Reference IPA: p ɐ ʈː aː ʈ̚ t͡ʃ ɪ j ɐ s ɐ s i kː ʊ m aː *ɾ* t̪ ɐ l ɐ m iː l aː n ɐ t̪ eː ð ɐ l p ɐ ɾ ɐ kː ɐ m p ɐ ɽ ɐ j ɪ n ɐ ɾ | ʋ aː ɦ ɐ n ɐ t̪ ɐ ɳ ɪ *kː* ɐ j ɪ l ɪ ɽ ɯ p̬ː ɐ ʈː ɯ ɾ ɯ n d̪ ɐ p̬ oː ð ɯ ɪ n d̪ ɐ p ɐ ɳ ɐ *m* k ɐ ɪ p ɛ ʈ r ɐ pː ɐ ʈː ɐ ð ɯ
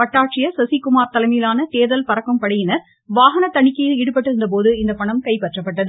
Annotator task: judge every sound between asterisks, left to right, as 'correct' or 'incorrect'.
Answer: correct, correct, correct

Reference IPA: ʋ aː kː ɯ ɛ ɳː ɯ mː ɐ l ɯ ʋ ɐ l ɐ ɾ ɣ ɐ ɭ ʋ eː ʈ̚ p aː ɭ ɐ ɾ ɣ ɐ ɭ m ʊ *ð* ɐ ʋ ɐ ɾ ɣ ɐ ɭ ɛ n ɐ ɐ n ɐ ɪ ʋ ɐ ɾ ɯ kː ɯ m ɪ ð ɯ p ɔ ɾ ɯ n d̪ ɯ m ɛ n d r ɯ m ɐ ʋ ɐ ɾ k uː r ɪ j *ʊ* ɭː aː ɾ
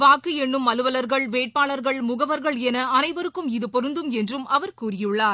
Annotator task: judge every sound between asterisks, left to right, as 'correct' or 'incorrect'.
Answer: incorrect: ɣ, incorrect: ɯ

